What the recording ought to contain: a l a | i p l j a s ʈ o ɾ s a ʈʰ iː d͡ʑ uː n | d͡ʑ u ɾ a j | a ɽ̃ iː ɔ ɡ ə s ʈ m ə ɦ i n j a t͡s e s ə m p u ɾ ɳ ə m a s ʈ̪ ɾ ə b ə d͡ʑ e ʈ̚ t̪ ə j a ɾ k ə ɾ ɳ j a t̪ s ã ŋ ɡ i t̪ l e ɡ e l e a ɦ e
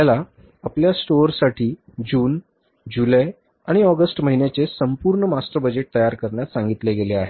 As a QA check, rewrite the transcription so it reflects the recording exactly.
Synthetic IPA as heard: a l a | a p l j a s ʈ o ɾ s a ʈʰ iː d͡ʑ uː n | d͡ʑ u l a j | a ɽ̃ i ɔ ɡ ə s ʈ m ə ɦ i n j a t͡s e s ə m p u ɾ ɳ ə m a s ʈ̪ ɾ ə b ə d͡ʑ e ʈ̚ t̪ ə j a ɾ k ə ɾ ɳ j a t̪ s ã ŋ ɡ i t̪ l e ɡ e l e a ɦ e